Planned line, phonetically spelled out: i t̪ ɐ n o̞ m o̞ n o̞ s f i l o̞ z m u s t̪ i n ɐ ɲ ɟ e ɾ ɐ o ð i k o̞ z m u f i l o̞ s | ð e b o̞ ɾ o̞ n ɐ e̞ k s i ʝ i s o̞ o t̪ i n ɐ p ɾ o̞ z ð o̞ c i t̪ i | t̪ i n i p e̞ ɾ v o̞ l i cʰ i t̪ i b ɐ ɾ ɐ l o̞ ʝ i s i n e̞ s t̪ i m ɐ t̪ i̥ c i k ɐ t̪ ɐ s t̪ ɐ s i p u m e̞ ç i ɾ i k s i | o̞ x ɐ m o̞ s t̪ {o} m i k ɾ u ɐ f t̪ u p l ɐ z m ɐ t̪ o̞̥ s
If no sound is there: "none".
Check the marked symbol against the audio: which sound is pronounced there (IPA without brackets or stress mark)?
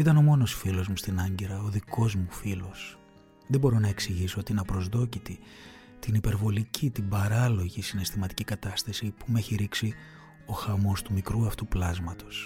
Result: u